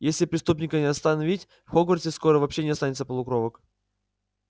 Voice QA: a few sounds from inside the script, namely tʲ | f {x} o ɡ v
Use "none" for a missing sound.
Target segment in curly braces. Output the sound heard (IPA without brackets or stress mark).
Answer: x